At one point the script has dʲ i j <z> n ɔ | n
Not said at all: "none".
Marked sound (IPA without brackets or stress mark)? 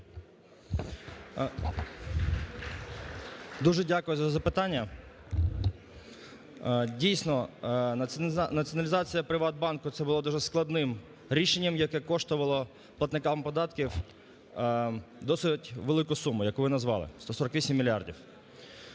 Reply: s